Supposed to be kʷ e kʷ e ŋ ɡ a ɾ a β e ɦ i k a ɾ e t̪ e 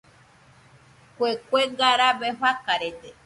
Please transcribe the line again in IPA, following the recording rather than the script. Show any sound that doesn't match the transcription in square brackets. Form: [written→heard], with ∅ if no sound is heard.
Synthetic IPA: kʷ e kʷ e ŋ ɡ a ɾ a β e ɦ [i→a] k a ɾ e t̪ e